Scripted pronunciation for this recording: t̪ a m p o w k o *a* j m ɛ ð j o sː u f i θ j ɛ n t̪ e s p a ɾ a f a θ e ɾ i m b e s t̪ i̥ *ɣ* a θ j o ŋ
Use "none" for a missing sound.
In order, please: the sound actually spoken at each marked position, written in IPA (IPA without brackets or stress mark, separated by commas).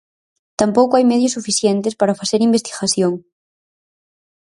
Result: a, ɣ